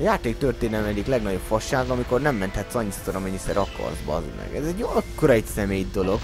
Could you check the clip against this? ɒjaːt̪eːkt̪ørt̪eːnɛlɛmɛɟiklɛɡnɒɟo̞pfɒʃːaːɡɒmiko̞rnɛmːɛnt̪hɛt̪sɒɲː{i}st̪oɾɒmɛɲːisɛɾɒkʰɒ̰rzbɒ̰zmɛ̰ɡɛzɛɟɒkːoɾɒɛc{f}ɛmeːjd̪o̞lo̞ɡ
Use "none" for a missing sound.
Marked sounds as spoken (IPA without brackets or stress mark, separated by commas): i, s